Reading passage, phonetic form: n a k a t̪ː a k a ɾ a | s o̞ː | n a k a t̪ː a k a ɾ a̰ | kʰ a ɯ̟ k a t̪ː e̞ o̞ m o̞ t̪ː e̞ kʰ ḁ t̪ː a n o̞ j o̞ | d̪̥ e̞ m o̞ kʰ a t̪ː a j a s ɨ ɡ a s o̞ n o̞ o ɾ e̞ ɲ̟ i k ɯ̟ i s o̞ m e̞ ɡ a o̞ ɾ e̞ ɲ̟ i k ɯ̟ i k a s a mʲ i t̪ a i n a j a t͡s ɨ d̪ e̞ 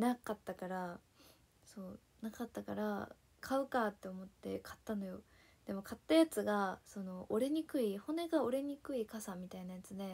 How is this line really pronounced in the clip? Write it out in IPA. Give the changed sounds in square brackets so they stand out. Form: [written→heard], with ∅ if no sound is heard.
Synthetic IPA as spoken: n a k a t̪ː a k a ɾ a | s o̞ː | n a k a t̪ː a k a ɾ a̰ | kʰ a ɯ̟ k a t̪ː e̞ o̞ m o̞ t̪ː e̞ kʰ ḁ t̪ː a n o̞ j o̞ | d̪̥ e̞ m o̞ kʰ a t̪ː a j a [s→t͡s] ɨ ɡ a s o̞ n o̞ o ɾ e̞ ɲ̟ i k ɯ̟ i [s→h] o̞ [m→n] e̞ ɡ a o̞ ɾ e̞ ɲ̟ i k ɯ̟ i k a s a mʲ i t̪ a i n a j a t͡s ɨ d̪ e̞